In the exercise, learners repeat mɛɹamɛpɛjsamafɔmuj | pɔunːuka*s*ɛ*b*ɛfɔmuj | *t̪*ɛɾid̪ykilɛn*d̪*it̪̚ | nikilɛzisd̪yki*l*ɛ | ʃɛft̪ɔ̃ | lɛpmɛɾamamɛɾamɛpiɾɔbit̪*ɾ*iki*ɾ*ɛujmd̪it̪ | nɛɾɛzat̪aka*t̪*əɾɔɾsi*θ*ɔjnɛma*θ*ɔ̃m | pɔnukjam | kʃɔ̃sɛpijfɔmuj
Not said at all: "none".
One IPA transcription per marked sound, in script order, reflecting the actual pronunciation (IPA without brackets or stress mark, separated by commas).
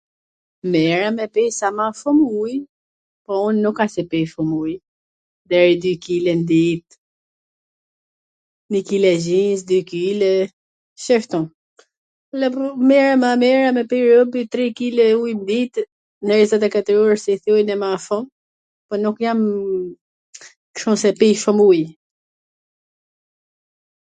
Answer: s, p, d̪, d̪, l, ɾ, l, t̪, θ, f